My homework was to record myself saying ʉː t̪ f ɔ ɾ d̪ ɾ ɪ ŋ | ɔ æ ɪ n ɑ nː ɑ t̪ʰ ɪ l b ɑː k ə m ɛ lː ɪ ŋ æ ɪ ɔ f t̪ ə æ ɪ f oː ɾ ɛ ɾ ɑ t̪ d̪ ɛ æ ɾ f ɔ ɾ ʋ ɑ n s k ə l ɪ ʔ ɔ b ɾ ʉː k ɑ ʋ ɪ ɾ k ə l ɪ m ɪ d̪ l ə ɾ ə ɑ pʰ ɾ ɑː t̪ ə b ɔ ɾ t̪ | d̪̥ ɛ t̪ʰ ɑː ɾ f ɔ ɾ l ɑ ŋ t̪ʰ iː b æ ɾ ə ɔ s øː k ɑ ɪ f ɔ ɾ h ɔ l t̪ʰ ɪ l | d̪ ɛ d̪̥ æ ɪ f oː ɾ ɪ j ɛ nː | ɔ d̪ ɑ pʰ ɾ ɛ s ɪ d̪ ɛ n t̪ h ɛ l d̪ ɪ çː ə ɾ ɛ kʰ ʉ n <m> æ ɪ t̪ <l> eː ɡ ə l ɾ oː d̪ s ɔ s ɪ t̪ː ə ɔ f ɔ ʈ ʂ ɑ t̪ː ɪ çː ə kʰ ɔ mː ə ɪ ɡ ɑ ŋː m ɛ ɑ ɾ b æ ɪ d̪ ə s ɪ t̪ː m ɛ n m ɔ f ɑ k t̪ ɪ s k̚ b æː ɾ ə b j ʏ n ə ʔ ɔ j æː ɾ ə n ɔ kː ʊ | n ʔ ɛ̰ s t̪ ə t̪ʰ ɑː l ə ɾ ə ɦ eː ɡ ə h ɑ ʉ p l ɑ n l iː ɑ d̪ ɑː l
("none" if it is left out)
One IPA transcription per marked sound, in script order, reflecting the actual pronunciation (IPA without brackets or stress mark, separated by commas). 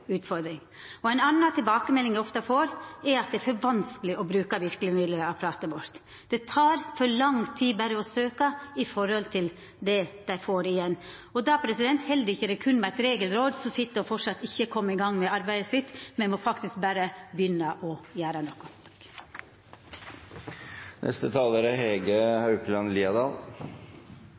m, ɾ